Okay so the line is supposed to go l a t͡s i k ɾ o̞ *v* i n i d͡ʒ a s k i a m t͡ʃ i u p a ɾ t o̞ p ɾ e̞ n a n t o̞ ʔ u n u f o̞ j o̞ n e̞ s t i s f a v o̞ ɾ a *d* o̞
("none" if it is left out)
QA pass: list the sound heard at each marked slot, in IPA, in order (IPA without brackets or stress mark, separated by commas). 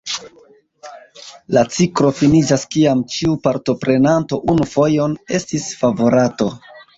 f, t